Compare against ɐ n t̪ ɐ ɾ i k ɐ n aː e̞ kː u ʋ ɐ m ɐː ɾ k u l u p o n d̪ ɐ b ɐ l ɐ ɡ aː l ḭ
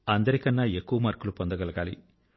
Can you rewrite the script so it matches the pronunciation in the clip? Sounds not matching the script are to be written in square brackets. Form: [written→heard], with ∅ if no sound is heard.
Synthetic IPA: ɐ n [t̪→d̪] ɐ ɾ i k ɐ [n→nː] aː e̞ kː u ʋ ɐ m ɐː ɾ k u l u p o n d̪ ɐ [b→ɡ] ɐ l ɐ ɡ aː l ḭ